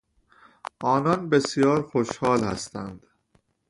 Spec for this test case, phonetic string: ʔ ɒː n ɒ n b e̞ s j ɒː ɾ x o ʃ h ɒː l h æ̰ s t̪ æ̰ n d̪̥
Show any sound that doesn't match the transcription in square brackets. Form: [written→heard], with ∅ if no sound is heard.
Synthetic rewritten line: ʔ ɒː n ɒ n b e̞ s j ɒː ɾ x o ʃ h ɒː l h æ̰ s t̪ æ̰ n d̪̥